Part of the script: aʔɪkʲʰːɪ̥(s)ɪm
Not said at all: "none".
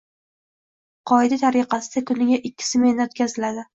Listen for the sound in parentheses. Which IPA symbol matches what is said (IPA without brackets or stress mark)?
s